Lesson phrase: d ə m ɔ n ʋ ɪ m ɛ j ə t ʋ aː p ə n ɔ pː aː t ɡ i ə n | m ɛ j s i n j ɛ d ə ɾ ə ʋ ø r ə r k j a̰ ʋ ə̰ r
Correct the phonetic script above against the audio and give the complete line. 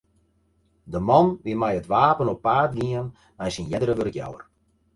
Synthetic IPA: d ə m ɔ n ʋ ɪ m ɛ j ə t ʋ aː p ə n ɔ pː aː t ɡ i ə n | m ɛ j s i n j ɛ d ə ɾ ə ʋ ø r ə k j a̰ w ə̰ r